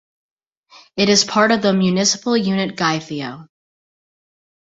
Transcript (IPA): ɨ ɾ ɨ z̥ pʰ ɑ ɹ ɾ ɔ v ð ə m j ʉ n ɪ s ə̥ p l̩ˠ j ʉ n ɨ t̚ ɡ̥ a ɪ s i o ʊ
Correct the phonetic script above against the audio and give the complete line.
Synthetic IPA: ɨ ɾ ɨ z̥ pʰ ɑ ɹ ɾ ʌ v ð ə m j ʉ n ɪ s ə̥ p l̩ˠ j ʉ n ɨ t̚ ɡ̥ a ɪ θ i o ʊ